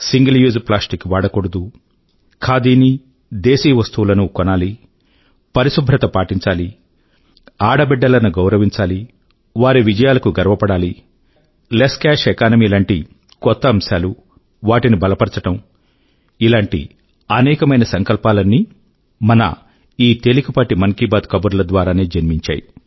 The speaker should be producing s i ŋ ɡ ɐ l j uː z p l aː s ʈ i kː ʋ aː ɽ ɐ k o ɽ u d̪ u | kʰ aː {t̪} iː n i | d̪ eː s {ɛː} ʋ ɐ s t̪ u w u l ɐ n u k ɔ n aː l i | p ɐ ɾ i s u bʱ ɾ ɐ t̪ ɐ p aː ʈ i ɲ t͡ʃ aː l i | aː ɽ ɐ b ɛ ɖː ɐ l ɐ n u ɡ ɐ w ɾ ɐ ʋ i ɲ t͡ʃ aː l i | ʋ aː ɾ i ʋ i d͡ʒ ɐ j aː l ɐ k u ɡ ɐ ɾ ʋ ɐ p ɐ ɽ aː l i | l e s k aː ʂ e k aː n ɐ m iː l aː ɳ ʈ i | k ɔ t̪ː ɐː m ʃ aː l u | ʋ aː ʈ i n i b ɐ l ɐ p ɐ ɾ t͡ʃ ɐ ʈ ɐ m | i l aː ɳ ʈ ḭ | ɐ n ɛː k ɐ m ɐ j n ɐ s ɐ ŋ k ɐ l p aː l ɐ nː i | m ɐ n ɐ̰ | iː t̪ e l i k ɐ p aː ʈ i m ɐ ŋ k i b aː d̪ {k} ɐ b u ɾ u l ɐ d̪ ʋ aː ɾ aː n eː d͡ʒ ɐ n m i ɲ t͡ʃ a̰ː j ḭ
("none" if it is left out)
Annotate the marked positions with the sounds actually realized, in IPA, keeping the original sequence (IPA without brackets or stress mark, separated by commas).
d̪, iː, k